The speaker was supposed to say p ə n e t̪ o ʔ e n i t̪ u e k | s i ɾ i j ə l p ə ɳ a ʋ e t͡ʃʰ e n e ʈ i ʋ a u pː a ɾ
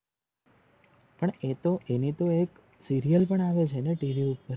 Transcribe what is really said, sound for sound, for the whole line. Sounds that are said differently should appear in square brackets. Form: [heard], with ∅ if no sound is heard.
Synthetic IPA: p ə [ɳ] e t̪ o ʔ e n i t̪ [o] e k | s i ɾ i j ə l p ə ɳ a ʋ e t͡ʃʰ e n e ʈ i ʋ [i] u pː [ə] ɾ